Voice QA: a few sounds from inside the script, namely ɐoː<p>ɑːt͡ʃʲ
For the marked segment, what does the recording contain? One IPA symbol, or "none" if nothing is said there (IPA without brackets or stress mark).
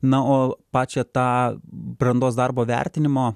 p